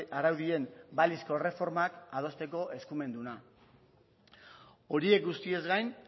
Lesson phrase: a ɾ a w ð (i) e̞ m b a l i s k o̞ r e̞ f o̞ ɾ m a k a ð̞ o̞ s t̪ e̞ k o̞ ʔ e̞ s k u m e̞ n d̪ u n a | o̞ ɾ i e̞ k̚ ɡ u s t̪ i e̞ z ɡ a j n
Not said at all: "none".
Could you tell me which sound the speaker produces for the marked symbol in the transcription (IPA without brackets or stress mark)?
i